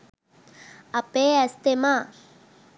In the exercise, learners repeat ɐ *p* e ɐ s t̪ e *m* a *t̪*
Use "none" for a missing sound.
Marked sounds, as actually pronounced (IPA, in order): p, m, none

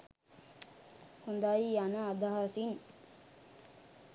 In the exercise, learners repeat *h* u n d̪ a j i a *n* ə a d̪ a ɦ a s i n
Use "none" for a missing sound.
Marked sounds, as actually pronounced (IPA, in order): h, n

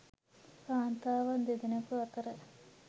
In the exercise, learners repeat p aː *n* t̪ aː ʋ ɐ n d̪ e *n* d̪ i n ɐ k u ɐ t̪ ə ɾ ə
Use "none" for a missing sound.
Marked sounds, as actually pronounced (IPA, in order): n, none

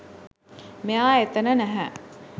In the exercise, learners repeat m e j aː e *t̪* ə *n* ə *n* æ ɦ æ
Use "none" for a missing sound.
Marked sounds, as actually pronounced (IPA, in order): t̪, n, n

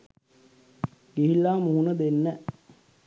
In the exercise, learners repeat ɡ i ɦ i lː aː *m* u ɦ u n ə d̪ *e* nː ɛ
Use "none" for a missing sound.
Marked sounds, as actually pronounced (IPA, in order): m, e

